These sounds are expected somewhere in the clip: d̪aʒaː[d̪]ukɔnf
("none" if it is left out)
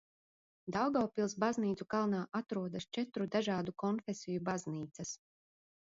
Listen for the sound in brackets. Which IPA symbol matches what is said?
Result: d̪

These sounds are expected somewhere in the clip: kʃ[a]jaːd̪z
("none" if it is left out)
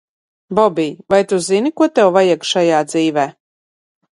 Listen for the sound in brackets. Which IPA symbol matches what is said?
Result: a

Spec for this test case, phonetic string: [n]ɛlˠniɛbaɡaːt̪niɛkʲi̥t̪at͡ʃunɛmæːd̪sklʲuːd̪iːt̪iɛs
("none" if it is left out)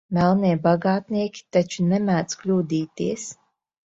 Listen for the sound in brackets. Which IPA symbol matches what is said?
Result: m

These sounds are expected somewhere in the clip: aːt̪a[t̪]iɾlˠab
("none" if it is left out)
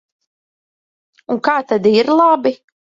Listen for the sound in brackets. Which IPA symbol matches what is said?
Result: d̪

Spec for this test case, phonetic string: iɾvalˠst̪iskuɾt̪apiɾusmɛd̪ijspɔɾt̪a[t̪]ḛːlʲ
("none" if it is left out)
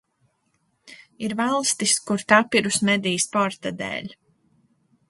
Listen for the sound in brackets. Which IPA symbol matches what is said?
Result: d̪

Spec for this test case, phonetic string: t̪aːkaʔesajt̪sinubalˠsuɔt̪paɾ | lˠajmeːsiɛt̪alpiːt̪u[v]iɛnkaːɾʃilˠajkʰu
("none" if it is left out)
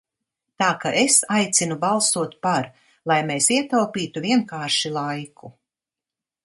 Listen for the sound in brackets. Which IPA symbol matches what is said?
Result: v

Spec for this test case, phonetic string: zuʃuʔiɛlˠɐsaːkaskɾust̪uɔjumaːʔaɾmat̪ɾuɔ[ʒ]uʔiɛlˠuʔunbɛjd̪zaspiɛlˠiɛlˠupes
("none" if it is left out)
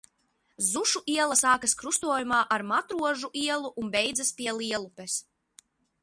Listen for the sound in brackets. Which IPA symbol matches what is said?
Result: ʒ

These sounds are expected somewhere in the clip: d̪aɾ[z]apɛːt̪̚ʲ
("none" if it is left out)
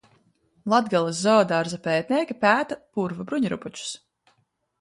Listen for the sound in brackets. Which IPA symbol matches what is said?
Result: z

